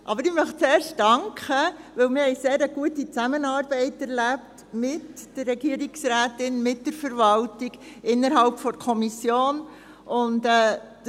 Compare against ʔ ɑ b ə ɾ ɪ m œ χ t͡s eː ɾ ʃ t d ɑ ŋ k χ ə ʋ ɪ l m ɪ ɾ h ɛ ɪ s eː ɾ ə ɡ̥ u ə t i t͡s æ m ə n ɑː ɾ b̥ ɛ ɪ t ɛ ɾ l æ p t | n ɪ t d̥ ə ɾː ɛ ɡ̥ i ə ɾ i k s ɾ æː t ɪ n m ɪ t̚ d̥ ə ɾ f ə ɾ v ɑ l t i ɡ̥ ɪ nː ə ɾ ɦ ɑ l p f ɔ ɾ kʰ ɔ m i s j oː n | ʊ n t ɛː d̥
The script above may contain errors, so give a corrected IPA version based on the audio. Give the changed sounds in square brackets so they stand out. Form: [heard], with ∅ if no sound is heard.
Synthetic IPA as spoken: ʔ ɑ b ə ɾ ɪ m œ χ t͡s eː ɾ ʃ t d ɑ ŋ k χ ə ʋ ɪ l m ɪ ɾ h ɛ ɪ s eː ɾ ə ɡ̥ u ə t i t͡s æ m ə n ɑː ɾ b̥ ɛ ɪ t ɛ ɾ l æ p t | [m] ɪ t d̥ ə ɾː ɛ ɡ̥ i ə ɾ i k s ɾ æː t ɪ n m ɪ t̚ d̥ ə ɾ f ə ɾ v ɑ l t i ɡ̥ ɪ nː ə ɾ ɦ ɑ l p f ɔ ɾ kʰ ɔ m i s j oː n | ʊ n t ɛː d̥